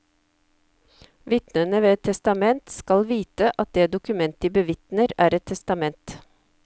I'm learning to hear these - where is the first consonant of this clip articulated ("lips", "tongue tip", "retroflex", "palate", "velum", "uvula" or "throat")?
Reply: lips